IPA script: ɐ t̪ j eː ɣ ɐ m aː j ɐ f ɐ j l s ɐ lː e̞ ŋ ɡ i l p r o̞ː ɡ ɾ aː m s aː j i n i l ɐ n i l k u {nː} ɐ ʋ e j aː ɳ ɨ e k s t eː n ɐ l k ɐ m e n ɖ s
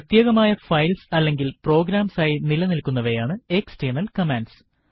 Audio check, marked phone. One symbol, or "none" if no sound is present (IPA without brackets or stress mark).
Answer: nː